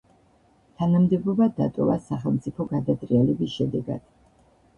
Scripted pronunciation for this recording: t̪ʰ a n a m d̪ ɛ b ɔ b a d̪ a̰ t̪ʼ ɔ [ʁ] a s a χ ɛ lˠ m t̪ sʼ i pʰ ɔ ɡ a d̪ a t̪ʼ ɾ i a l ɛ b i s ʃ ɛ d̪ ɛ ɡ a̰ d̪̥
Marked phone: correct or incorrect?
incorrect